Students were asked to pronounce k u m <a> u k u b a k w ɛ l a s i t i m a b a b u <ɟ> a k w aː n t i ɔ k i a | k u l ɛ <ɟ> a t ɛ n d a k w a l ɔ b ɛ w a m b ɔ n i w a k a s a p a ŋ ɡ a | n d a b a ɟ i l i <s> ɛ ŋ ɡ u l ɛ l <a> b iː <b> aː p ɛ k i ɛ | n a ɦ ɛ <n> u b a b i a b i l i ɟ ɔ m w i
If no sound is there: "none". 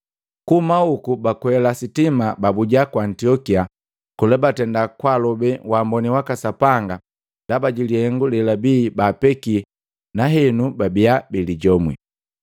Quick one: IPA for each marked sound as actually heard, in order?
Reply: a, ɟ, b, h, a, b, n

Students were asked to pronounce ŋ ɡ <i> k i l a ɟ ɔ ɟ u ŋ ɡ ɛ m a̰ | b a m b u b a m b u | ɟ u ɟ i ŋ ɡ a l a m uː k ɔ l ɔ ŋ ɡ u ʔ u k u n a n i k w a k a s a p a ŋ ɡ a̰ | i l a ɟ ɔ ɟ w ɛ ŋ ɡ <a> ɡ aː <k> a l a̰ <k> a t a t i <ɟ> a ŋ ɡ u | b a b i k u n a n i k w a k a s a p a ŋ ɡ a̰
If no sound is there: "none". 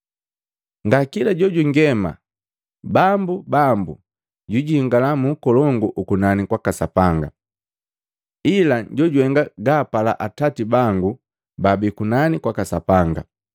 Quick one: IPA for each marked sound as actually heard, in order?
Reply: a, a, p, ʔ, b

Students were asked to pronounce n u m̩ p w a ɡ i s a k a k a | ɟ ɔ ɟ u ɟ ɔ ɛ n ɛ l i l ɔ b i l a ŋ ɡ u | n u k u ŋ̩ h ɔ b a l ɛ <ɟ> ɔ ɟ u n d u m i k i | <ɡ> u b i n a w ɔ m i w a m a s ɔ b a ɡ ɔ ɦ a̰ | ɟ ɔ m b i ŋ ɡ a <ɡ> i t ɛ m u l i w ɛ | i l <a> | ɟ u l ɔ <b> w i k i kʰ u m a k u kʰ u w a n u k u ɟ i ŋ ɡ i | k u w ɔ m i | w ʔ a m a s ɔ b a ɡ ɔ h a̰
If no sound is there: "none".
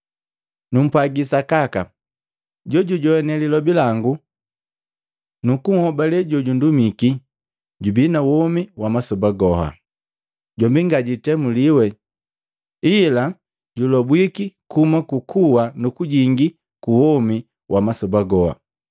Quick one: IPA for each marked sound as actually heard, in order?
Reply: ɟ, ɟ, ɟ, a, b

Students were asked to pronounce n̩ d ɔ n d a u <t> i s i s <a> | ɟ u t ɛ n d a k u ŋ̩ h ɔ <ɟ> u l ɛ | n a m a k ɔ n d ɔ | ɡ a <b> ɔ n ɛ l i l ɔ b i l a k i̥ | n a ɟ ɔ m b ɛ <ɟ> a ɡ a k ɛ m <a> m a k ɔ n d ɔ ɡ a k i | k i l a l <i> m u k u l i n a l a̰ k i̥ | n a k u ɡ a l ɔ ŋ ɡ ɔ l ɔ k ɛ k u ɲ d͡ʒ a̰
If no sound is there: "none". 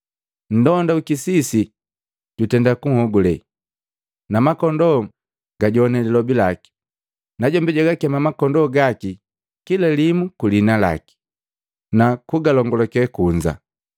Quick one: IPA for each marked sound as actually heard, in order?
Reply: k, i, ɡ, ɟ, ɟ, a, i

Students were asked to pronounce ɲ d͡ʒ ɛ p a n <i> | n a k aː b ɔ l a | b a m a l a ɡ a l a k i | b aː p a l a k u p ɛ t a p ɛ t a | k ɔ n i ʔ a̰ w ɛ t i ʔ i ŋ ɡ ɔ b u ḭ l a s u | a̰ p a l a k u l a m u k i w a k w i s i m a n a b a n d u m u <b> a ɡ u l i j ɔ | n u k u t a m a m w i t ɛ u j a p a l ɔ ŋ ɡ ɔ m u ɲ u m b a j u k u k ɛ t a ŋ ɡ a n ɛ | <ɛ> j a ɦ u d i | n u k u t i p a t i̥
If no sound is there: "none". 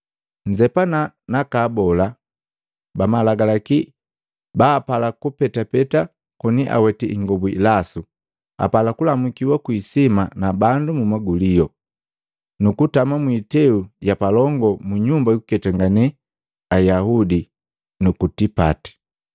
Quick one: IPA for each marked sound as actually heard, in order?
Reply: a, m, a

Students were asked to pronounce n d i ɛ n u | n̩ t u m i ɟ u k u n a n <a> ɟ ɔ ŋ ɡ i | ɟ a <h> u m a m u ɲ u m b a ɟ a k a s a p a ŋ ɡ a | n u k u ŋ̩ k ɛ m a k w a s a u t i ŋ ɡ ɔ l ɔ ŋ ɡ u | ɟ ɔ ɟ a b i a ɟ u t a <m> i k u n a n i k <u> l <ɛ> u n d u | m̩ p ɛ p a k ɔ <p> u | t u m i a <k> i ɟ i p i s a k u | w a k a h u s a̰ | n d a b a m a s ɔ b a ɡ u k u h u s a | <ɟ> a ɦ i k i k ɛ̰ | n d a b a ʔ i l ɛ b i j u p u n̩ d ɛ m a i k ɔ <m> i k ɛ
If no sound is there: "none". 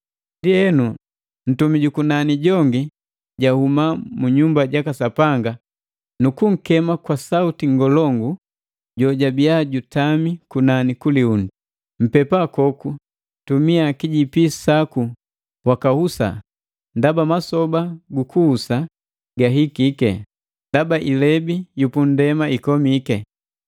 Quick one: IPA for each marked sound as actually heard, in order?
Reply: i, h, m, u, i, k, k, ɡ, m

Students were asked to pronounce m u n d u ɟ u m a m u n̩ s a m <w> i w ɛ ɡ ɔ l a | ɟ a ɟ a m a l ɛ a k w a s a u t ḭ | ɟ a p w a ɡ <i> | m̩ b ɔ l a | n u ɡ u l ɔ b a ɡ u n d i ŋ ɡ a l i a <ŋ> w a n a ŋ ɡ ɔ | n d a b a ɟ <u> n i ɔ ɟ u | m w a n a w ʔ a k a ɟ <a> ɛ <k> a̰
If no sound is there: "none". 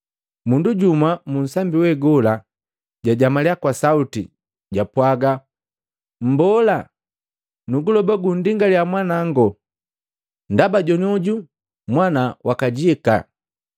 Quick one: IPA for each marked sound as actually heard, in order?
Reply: b, a, m, ɔ, i, k

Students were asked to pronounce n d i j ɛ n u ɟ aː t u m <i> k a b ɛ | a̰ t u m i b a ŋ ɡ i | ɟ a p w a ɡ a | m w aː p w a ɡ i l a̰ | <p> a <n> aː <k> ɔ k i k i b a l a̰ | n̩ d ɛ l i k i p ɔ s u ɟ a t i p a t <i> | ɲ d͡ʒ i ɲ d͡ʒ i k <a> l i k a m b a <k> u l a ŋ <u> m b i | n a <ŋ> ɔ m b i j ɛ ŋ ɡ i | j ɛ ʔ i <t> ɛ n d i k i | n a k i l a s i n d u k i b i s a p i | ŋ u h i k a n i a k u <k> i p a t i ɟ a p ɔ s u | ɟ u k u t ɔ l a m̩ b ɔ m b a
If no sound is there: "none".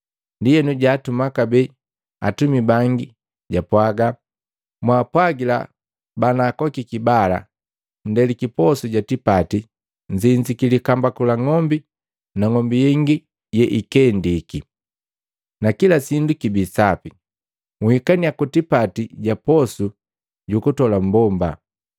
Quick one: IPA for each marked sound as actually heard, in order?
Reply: a, b, n, k, i, i, k, ɔ, ŋ, k, t

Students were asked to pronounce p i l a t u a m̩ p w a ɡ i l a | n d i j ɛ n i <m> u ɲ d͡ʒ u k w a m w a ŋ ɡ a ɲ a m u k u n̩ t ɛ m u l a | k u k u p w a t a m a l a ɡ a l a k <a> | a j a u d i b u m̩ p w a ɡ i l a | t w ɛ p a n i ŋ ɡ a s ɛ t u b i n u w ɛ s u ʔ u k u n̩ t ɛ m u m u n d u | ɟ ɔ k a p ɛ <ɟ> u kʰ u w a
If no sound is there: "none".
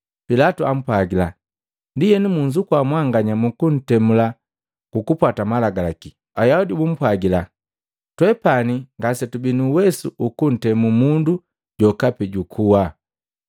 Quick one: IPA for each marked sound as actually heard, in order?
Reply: m, i, ɟ

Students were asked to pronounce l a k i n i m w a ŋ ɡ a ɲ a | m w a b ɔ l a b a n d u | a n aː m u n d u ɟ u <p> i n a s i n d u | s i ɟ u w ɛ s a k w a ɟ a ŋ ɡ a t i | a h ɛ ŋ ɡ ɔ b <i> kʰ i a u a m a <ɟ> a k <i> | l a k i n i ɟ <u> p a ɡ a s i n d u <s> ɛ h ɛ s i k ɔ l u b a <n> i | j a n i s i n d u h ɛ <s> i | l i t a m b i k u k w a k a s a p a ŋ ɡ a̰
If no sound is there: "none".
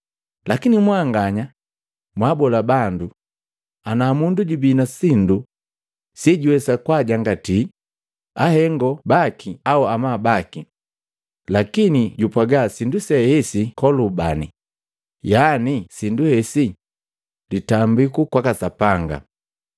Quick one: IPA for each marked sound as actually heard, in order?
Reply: b, a, b, i, u, s, n, s

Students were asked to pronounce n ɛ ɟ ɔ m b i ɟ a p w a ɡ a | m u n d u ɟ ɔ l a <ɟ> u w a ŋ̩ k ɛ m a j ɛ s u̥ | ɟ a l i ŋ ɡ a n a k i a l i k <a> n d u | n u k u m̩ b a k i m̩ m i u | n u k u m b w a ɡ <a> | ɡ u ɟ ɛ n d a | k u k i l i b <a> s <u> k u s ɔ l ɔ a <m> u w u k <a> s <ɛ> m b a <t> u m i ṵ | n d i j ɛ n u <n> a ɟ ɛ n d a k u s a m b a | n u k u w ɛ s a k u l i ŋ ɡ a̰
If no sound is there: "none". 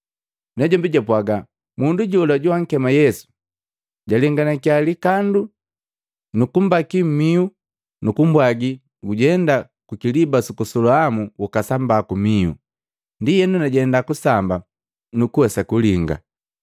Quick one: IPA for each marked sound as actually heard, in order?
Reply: ɟ, a, i, a, u, m, a, a, k, n

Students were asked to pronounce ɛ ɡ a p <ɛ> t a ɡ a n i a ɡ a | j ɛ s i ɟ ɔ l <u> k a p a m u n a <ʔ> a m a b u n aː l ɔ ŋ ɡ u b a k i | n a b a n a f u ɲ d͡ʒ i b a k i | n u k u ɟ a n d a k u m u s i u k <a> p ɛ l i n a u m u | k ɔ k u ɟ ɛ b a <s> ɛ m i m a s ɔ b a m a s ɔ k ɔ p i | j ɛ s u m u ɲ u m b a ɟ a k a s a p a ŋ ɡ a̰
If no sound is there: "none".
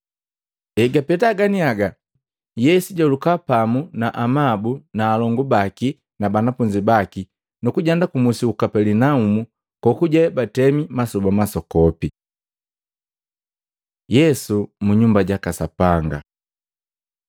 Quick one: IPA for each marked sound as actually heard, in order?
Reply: ɛ, u, ʔ, a, t

